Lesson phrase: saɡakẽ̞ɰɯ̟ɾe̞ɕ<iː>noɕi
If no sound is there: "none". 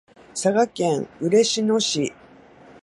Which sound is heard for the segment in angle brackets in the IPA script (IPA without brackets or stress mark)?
i